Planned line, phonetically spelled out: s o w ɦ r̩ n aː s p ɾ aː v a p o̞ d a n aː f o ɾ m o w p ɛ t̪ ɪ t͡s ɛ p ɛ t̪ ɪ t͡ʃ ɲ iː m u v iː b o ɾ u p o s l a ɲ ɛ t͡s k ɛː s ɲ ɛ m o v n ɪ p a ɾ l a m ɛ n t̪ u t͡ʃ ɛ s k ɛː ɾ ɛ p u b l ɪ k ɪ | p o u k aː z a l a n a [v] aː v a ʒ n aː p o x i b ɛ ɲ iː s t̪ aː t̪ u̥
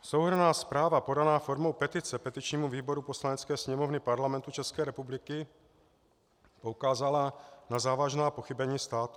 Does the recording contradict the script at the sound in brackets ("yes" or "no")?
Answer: yes